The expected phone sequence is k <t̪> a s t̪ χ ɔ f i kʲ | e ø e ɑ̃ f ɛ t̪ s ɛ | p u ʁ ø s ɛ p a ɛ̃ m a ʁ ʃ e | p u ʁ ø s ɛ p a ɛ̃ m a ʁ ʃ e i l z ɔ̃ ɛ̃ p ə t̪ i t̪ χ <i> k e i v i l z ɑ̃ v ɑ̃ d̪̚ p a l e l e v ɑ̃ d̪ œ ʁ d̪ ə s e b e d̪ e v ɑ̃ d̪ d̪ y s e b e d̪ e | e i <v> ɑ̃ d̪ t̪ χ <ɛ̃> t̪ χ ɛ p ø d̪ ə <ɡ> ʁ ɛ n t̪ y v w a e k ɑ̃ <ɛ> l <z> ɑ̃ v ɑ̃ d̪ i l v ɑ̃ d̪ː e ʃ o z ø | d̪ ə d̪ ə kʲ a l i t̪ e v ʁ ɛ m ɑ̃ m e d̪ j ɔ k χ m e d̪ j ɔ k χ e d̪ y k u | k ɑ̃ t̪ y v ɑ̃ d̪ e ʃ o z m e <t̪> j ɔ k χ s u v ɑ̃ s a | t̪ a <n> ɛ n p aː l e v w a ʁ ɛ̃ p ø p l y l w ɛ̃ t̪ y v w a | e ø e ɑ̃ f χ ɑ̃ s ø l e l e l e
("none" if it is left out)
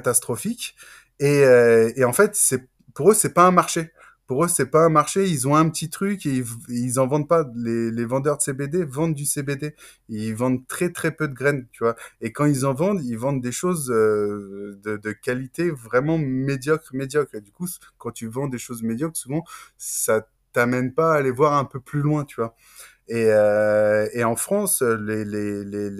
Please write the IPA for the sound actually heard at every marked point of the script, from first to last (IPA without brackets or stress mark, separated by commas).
t̪, y, v, ɛ, ɡ, i, z, d̪, m